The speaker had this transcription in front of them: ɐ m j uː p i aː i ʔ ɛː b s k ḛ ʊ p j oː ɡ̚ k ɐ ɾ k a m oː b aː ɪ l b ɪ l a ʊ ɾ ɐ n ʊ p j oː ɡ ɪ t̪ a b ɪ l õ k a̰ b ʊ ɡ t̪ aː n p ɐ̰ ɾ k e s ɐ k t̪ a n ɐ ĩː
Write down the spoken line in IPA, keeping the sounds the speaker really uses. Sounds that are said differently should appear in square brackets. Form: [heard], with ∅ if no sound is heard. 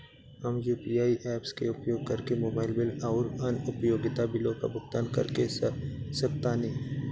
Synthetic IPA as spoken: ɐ m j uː p i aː i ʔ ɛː [p] s k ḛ ʊ p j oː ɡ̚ k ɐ ɾ k [e] m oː b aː ɪ l b ɪ l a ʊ ɾ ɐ n ʊ p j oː ɡ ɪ t̪ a b ɪ l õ k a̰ b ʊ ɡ t̪ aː n [k] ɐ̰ ɾ k e s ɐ k t̪ a n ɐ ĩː